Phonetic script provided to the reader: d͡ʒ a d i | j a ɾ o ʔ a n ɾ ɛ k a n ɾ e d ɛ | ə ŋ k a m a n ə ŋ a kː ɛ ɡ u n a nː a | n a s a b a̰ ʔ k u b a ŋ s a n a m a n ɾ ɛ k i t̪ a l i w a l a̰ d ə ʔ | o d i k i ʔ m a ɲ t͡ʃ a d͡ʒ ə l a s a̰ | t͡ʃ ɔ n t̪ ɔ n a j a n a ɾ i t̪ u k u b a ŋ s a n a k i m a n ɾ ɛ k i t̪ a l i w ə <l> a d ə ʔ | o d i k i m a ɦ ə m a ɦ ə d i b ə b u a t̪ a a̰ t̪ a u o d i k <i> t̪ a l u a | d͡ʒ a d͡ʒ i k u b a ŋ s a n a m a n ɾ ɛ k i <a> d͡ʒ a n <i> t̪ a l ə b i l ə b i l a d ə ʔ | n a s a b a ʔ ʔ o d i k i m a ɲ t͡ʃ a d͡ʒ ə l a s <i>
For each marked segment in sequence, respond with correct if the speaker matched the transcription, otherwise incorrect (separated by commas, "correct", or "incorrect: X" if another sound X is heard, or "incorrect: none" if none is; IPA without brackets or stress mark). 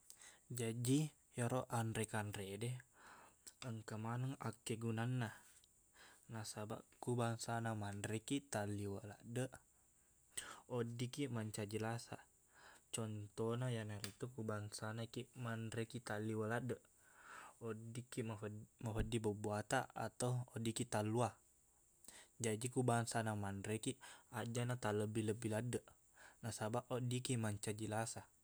correct, correct, correct, incorrect: a, incorrect: a